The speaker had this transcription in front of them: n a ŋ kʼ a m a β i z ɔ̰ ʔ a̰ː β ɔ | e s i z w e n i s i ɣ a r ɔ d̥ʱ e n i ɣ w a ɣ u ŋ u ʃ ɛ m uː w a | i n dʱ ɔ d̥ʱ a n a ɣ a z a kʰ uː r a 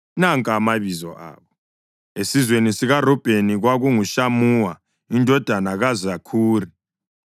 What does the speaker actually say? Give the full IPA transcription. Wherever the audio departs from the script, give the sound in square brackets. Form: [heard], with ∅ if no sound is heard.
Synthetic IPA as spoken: n a ŋ kʼ a m a β i z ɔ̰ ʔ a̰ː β ɔ | e s i z w e n i s i ɣ a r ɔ [b̥ʱ] e n i ɣ w a ɣ u ŋ u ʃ [a] m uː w a | i n dʱ ɔ d̥ʱ a n a ɣ a z a kʰ uː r [i]